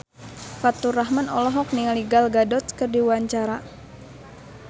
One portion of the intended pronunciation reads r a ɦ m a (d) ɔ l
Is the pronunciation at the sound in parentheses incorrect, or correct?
incorrect: n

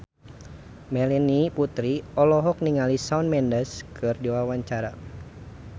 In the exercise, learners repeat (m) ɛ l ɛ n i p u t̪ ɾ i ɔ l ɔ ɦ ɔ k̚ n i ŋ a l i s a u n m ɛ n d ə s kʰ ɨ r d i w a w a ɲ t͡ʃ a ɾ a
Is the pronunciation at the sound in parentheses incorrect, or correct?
correct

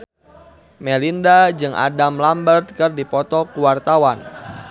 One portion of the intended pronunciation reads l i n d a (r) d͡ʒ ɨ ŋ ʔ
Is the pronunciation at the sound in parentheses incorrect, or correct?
incorrect: none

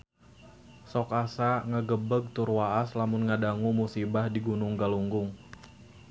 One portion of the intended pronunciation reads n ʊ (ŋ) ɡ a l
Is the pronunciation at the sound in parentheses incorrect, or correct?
correct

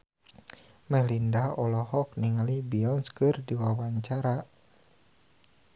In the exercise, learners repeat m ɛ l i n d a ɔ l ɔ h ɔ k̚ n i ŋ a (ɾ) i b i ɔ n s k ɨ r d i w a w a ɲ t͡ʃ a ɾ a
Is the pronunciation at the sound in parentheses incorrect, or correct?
incorrect: l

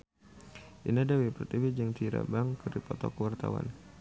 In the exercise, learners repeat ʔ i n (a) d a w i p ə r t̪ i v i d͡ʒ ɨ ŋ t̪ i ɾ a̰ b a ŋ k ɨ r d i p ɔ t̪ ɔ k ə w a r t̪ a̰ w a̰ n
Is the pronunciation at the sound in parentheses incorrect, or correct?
correct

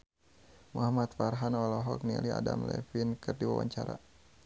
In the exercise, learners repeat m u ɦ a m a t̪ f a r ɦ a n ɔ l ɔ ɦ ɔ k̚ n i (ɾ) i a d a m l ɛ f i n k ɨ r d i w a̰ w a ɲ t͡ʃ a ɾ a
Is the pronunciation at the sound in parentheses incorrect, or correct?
incorrect: l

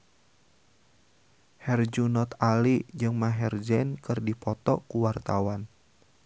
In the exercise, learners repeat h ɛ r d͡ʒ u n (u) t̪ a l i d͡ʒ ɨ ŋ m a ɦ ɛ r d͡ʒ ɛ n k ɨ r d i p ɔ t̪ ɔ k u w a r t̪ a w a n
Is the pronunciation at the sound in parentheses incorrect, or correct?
incorrect: ɔ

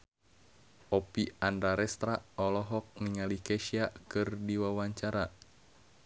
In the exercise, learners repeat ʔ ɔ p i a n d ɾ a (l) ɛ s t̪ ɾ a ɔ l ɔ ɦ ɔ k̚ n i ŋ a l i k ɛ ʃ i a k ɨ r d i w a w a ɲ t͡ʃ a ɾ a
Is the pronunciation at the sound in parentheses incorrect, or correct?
incorrect: ɾ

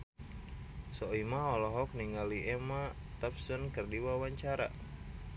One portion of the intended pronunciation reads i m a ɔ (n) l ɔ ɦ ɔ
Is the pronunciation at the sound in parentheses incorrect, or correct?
incorrect: none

